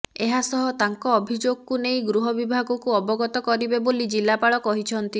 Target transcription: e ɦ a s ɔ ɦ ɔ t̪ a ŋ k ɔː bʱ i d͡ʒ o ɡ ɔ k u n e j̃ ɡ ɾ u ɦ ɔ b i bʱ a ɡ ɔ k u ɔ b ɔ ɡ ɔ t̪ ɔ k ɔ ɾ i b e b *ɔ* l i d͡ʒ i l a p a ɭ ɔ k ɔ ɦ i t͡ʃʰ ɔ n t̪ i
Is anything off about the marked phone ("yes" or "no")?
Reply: yes